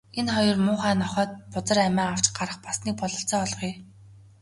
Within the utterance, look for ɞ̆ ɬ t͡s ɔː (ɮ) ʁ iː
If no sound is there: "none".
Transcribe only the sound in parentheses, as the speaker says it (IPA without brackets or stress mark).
ɮ